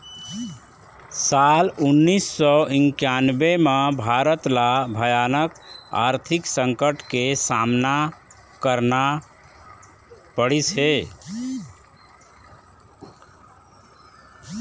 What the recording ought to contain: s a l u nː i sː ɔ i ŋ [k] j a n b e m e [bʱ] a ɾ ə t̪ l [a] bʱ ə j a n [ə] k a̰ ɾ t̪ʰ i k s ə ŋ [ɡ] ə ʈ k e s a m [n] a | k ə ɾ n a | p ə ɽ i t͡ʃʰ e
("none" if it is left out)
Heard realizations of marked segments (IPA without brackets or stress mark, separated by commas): k, bʱ, a, ə, k, n